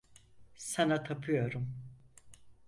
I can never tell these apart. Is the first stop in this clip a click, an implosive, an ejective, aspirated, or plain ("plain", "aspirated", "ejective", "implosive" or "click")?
aspirated